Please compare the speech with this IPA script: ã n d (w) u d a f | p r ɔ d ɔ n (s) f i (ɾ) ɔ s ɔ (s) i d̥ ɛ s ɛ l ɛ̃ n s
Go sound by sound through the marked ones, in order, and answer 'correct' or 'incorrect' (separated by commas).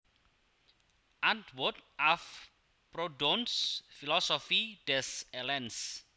correct, correct, incorrect, incorrect